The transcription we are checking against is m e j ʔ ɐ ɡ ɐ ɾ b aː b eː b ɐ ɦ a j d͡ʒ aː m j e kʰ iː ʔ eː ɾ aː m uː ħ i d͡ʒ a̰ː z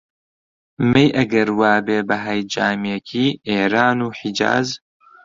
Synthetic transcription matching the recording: m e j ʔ ɐ ɡ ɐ ɾ w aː b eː b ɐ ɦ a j d͡ʒ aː m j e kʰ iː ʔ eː ɾ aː n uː ħ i d͡ʒ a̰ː z